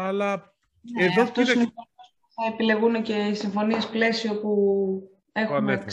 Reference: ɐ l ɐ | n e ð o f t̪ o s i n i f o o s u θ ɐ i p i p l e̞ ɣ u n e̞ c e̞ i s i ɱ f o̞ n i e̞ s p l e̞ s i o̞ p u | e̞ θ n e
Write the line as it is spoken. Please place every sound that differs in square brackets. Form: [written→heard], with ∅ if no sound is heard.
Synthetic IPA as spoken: ɐ l ɐ | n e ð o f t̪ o s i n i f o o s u θ ɐ [i→e] p i [p→∅] l e̞ ɣ u n e̞ c e̞ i s i ɱ f o̞ n i e̞ s p l e̞ s i o̞ p u | e̞ [θ→x] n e